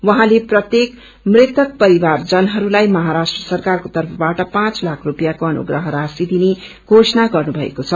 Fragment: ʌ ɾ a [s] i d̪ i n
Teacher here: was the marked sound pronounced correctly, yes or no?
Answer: yes